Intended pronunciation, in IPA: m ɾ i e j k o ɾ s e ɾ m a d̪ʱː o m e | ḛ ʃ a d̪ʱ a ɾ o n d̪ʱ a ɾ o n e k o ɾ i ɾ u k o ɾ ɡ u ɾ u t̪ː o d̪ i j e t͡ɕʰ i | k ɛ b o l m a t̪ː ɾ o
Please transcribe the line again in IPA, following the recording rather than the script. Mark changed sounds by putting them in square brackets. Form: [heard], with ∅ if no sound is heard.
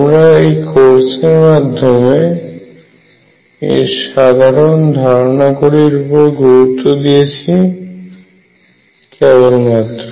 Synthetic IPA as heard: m ɾ [a] e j k o ɾ s e ɾ m a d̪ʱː o m e | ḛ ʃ a d̪ʱ a ɾ o n d̪ʱ a ɾ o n [a] k o ɾ i ɾ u [p] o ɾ ɡ u ɾ u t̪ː o d̪ i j e t͡ɕʰ i | k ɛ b o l m a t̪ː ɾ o